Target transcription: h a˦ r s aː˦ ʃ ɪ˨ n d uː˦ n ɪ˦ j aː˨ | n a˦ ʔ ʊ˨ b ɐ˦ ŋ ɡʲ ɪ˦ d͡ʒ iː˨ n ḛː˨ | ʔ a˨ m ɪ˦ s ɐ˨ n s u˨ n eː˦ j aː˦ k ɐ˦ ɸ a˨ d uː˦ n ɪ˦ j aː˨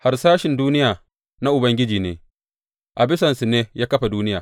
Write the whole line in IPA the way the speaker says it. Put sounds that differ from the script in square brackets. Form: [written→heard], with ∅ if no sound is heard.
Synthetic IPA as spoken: h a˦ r s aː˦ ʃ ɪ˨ n d uː˦ n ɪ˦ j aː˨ | n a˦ ʔ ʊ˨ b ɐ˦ ŋ ɡʲ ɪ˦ d͡ʒ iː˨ n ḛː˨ | ʔ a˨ [m→b] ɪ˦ s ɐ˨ n s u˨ n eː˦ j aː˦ k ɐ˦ ɸ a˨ d uː˦ n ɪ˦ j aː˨